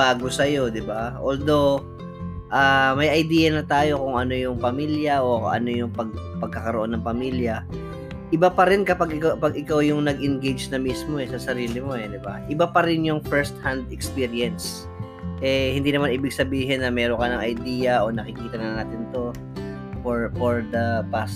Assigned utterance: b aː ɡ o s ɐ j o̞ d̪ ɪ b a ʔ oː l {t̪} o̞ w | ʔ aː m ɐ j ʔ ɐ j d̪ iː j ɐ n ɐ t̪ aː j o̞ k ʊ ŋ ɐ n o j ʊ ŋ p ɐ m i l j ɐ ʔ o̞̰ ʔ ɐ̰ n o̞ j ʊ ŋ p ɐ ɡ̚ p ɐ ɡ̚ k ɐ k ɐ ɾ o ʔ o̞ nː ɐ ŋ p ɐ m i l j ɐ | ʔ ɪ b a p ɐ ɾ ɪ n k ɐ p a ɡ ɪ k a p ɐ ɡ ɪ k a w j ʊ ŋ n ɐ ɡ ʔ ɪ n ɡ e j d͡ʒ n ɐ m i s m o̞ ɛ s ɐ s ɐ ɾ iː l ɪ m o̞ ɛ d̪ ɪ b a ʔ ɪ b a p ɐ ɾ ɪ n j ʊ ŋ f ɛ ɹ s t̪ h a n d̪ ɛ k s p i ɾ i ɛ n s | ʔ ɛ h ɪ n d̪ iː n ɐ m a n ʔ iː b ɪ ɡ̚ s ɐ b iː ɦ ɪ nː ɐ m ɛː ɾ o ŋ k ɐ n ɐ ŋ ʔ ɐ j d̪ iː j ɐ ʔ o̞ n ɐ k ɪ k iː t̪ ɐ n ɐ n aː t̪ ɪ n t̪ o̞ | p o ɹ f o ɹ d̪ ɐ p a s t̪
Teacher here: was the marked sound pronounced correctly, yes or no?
no